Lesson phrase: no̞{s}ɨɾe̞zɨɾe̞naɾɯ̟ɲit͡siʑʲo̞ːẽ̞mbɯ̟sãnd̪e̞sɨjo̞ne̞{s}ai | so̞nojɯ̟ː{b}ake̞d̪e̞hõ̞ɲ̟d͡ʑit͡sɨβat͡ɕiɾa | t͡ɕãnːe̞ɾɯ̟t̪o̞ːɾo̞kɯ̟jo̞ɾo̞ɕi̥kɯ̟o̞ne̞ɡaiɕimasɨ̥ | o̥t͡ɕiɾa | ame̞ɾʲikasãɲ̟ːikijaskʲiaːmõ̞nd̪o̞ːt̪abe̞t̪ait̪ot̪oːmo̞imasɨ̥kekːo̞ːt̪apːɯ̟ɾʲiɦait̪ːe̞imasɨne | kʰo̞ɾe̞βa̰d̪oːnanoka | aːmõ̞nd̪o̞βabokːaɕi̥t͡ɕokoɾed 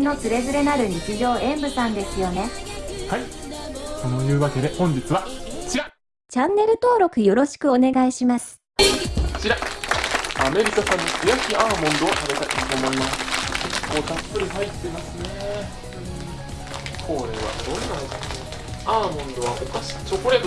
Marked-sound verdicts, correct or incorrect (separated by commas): incorrect, incorrect, incorrect